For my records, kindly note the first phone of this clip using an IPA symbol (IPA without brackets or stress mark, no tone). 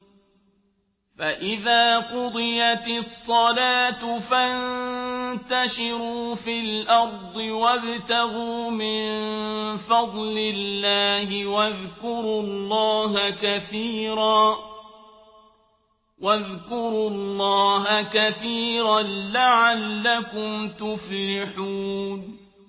f